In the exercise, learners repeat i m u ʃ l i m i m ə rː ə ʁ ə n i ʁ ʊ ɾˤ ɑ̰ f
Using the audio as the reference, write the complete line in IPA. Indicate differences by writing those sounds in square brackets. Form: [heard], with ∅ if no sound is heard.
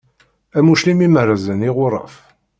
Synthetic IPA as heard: [æ] m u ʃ l i m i m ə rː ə [z] ə n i ʁ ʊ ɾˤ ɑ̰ f

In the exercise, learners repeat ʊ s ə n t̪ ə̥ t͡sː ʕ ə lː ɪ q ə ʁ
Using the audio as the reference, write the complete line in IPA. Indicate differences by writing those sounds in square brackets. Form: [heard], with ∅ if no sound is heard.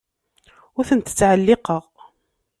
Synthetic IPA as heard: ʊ [θ] ə n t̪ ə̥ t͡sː ʕ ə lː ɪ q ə ʁ

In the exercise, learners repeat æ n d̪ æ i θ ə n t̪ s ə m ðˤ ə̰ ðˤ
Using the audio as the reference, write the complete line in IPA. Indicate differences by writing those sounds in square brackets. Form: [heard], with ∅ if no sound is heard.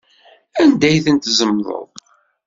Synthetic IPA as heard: æ n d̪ æ [j] θ ə n t̪ [z] ə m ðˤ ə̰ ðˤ

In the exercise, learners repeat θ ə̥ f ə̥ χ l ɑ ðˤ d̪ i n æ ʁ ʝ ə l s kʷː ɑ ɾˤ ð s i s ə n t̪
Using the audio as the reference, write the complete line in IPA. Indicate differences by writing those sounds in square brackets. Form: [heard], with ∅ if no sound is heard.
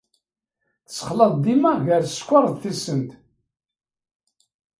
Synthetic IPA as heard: θ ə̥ [s] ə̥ χ l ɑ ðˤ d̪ i [m] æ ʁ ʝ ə [ɾ] s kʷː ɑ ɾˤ ð [θ] i s ə n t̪

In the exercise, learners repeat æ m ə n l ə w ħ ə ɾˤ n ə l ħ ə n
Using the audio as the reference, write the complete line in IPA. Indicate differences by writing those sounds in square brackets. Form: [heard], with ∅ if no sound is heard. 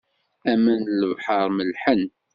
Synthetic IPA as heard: æ m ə n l ə [v] ħ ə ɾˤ [m] ə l ħ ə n

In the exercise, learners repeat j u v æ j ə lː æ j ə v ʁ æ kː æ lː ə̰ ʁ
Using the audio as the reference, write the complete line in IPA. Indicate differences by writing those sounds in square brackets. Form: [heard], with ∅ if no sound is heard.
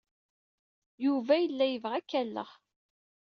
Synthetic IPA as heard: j u v æ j ə lː æ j ə v ʁ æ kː æ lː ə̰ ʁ

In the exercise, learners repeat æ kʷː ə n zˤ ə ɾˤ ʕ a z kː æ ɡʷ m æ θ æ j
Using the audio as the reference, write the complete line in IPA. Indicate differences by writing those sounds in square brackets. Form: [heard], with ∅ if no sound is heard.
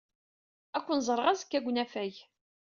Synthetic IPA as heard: æ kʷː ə n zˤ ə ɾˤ [ʁ] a z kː æ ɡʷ [n] æ [f] æ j

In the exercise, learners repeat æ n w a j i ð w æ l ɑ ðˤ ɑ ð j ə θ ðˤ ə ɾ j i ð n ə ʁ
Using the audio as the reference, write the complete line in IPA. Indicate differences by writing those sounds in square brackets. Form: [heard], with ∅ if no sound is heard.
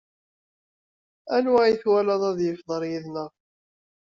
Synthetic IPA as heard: æ n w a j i [θ] w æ l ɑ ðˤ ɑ ð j ə [f] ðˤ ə ɾ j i ð n ə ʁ

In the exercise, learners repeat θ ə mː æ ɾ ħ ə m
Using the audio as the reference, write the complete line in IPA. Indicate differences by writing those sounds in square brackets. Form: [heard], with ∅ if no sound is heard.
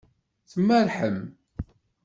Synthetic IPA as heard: θ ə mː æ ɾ ħ ə m

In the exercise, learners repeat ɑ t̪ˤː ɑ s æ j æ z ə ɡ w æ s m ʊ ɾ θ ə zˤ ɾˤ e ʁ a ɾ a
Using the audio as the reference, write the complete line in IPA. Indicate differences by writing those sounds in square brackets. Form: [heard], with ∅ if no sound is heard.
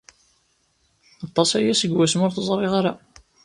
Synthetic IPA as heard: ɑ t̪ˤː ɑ s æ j æ [s] ə ɡ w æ s m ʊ ɾ θ ə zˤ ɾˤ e ʁ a ɾ a

